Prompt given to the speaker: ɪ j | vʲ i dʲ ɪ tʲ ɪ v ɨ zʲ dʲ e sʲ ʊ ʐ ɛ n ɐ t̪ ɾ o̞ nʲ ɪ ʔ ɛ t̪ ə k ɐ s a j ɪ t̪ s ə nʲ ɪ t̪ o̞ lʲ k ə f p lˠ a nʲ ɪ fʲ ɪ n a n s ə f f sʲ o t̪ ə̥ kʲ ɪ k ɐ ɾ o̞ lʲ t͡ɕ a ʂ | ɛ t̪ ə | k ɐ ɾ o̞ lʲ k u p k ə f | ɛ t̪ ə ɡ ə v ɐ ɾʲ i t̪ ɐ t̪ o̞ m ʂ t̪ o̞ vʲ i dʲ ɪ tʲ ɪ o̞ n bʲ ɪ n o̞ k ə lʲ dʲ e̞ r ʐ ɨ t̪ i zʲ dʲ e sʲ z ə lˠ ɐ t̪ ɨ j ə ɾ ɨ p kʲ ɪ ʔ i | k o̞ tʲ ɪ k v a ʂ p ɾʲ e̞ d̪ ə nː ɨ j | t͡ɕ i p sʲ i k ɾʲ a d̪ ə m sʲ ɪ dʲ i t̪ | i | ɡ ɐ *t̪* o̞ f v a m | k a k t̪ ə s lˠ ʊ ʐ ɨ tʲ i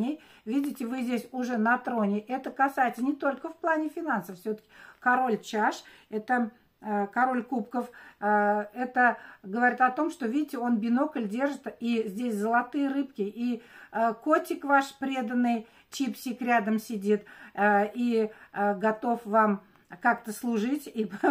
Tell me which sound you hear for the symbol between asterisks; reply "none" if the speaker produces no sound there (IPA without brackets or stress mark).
t̪